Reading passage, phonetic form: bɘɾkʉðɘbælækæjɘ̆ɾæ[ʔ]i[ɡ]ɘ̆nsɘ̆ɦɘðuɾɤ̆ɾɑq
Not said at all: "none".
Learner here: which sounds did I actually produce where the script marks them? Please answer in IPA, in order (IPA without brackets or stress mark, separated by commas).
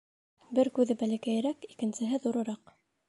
k, k